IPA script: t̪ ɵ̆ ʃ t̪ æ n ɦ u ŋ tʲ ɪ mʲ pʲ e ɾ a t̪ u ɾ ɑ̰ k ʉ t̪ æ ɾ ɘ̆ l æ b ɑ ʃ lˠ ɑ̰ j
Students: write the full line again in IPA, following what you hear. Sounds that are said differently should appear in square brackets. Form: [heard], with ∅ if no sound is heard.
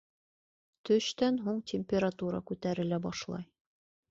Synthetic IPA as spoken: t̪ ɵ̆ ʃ t̪ æ n ɦ u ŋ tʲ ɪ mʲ pʲ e ɾ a t̪ u ɾ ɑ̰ k ʉ t̪ æ ɾ ɘ̆ l æ b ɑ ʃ lˠ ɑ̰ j